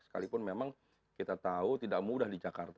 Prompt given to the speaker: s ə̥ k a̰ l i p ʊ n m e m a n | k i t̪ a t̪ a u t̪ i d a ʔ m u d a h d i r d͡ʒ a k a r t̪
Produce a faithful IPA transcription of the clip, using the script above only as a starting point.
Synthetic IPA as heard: s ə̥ k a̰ l i p ʊ n m e m a ŋ | k i t̪ a t̪ a u t̪ i d a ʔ m u d a h d i d͡ʒ a k a r t̪